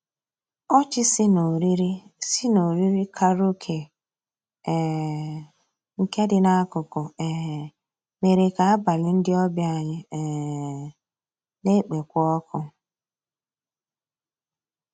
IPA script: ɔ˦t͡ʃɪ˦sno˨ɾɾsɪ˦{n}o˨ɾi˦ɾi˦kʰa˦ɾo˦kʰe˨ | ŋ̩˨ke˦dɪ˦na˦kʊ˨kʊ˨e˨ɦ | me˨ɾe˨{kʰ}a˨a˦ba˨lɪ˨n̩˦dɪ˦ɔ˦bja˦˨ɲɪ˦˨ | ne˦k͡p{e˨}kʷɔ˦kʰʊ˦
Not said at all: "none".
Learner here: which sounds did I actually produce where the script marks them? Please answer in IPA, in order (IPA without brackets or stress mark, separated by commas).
n, k, e˨